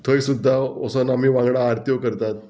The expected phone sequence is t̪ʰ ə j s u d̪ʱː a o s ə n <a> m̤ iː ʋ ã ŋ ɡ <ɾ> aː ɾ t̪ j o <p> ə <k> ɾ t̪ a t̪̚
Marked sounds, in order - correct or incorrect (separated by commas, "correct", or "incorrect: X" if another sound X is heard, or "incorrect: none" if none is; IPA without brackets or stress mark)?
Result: correct, incorrect: ɽ, incorrect: k, incorrect: none